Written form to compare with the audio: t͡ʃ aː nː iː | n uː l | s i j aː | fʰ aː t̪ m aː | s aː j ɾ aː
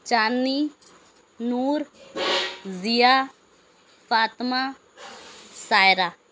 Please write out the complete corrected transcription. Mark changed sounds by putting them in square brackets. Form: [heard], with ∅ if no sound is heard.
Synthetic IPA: t͡ʃ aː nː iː | n uː [ɾ] | [z] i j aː | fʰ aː t̪ m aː | s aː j ɾ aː